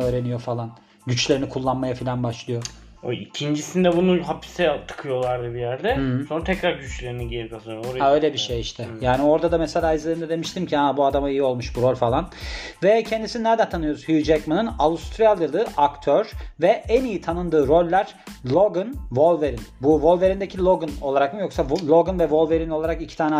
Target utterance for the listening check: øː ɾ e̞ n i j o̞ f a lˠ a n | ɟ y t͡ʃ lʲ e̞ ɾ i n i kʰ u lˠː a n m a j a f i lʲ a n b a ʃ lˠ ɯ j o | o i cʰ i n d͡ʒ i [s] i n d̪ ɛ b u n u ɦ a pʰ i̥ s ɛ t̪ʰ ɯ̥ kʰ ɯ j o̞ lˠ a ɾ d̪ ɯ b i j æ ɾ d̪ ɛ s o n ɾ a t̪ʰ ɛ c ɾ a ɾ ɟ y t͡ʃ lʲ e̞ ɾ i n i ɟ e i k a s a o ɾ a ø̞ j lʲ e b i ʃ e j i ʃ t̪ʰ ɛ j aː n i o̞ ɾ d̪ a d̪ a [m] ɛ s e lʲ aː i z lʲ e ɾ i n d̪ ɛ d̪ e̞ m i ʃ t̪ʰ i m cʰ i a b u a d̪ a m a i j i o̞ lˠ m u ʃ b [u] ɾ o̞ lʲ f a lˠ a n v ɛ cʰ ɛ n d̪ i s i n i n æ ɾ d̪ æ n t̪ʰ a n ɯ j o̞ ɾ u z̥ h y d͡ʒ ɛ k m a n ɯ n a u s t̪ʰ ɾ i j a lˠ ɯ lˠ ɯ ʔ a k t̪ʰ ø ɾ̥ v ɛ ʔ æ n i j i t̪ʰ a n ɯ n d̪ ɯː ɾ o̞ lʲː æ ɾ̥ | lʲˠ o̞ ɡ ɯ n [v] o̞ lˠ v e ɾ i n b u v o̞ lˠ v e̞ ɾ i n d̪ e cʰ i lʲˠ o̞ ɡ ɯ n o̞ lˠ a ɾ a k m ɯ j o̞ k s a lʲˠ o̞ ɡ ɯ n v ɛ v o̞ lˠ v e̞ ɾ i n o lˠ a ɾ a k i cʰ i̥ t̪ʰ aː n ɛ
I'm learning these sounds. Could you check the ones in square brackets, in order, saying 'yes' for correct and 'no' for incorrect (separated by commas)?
yes, yes, yes, yes